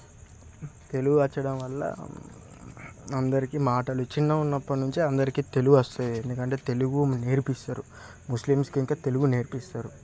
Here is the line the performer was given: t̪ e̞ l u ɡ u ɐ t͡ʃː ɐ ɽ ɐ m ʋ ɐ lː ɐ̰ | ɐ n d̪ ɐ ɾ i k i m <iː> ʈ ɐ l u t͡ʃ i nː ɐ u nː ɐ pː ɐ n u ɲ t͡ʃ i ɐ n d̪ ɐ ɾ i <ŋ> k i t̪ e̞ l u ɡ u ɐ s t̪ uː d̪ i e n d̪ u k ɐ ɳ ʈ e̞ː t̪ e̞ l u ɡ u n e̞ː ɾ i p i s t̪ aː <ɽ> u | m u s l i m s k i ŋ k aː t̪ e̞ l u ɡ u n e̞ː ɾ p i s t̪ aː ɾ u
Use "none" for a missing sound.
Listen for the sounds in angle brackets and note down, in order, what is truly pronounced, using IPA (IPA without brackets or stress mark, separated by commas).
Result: aː, none, ɾ